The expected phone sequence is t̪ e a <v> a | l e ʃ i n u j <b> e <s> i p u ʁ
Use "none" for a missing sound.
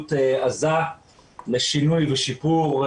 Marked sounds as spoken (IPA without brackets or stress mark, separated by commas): z, v, ʃ